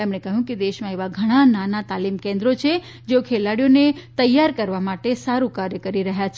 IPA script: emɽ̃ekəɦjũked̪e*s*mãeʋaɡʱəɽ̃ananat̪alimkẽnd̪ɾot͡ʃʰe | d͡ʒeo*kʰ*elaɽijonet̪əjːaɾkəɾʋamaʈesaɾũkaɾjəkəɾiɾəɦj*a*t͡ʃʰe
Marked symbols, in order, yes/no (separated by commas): no, yes, yes